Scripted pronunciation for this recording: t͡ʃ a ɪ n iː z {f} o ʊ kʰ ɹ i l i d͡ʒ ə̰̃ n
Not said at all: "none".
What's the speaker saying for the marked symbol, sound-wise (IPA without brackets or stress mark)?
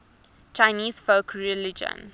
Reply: f